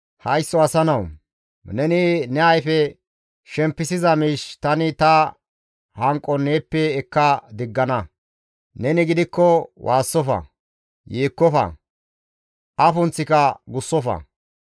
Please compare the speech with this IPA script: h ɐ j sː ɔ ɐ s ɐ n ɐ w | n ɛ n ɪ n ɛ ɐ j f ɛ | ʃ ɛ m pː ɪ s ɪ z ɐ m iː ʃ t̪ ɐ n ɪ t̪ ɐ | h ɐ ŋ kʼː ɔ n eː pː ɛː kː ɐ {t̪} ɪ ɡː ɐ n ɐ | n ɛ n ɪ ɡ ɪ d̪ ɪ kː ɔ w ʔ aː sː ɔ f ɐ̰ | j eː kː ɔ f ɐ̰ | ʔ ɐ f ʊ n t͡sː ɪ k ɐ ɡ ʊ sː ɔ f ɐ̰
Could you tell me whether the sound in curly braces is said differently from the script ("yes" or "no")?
yes